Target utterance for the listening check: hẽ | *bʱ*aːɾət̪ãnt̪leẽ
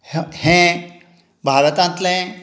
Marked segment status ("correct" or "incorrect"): correct